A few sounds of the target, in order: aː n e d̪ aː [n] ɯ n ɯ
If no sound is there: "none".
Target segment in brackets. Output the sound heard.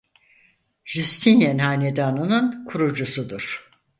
n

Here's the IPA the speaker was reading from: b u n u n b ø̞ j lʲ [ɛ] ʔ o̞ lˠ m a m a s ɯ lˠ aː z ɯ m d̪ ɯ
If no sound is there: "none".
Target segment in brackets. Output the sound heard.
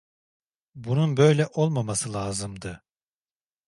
ɛ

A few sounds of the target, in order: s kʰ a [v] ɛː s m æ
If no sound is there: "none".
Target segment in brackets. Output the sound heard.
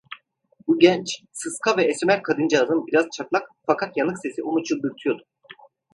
v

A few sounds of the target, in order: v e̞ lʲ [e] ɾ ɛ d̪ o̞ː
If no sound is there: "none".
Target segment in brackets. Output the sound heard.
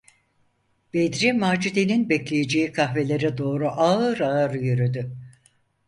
e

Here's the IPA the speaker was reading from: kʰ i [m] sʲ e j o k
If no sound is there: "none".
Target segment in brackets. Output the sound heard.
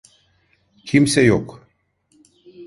m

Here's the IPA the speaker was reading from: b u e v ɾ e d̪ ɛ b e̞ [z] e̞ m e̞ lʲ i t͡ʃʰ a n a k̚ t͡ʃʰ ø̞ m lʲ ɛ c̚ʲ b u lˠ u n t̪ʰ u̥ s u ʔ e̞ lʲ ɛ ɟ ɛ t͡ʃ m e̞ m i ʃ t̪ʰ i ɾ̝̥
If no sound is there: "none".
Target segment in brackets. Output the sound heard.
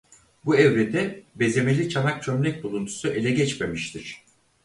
z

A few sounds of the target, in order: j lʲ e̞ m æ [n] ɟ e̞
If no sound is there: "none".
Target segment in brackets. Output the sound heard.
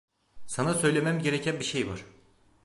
m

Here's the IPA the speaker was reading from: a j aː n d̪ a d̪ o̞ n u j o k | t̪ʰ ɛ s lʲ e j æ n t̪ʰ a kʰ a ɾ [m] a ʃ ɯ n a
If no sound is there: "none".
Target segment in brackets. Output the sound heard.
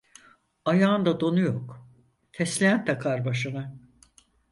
b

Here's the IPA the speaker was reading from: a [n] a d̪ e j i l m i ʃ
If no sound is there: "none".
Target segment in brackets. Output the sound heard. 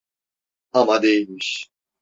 m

